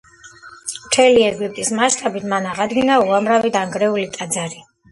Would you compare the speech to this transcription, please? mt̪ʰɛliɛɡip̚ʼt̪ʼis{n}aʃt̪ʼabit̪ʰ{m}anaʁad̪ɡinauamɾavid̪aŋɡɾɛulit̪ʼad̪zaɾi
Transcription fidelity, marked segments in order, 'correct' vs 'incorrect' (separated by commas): incorrect, correct